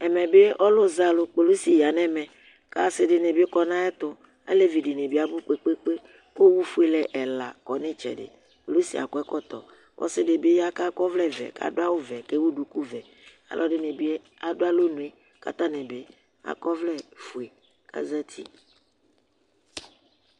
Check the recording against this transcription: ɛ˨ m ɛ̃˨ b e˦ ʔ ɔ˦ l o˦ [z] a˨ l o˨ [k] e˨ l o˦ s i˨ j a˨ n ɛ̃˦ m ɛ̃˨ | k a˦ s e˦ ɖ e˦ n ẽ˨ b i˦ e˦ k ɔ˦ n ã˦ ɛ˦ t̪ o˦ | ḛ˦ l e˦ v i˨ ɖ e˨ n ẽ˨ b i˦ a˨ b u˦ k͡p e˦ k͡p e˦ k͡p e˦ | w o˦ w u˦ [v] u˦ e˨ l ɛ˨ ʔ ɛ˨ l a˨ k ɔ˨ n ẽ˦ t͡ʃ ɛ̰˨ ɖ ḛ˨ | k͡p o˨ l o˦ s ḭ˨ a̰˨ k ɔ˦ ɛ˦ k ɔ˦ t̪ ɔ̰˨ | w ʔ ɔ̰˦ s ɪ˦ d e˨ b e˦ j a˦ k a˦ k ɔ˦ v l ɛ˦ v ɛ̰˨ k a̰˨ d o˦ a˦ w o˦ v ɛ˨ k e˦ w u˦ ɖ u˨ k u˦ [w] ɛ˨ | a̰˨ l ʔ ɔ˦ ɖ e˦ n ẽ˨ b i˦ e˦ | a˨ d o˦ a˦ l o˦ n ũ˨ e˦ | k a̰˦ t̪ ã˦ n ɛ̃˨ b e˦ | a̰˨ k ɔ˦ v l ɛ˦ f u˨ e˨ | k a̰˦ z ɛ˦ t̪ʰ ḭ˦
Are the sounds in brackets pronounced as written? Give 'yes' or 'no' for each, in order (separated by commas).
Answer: yes, no, no, no